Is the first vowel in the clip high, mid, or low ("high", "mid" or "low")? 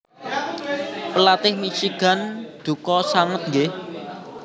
mid